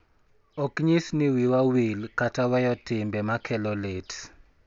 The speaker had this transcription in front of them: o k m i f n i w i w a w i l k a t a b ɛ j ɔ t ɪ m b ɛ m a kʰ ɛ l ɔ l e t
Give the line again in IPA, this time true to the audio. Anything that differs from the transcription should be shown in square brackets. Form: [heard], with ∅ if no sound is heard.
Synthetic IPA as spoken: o k [ɲ] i [s] n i w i w a w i l k a t a [w] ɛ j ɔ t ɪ m b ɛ m a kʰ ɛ l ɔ l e t